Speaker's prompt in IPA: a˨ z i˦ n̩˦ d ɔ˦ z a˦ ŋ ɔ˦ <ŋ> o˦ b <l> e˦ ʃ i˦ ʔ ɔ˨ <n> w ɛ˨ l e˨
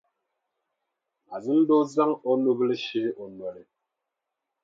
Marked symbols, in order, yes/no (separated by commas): no, yes, yes